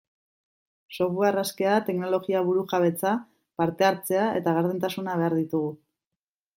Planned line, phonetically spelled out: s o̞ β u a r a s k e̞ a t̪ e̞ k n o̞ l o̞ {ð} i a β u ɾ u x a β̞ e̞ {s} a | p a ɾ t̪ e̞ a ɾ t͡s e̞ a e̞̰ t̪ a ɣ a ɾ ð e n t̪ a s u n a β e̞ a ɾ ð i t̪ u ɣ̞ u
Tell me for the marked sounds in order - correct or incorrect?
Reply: incorrect: ɣ, incorrect: t͡s

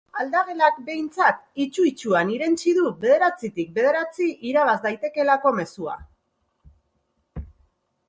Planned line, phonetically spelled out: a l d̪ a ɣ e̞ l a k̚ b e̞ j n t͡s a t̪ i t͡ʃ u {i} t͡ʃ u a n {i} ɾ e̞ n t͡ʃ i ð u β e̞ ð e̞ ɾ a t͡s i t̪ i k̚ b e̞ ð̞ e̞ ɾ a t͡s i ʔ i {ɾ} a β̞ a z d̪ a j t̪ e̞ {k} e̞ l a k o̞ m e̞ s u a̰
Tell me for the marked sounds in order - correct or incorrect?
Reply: correct, correct, correct, correct

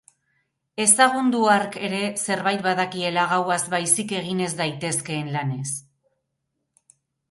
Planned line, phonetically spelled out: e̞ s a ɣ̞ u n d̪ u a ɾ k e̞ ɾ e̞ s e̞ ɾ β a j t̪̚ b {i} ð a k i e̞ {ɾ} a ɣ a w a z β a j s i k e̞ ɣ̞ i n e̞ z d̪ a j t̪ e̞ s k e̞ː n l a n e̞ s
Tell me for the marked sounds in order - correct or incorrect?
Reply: incorrect: a, incorrect: l

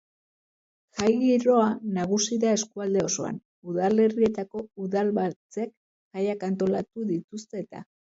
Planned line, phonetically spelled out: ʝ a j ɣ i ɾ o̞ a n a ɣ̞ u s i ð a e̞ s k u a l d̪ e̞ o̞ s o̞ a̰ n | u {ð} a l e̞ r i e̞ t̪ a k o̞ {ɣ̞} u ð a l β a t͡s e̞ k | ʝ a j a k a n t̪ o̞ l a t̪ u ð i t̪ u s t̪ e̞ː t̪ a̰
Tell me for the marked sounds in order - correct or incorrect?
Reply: correct, incorrect: none

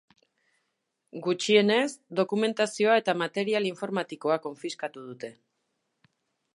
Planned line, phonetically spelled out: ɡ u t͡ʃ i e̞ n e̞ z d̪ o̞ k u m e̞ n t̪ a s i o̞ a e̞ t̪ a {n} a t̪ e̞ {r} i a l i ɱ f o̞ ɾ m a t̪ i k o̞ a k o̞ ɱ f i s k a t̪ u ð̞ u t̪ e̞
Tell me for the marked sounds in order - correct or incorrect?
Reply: incorrect: m, incorrect: ɾ

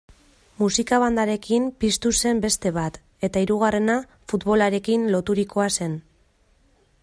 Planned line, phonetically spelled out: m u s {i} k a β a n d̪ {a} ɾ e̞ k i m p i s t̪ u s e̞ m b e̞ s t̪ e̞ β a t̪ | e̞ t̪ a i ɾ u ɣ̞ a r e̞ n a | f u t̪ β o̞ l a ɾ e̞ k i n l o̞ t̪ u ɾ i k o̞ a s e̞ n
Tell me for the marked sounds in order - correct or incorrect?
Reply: correct, correct

